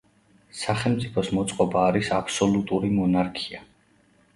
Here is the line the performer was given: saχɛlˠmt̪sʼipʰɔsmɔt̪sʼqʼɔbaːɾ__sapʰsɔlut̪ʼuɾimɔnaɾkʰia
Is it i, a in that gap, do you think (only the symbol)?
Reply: i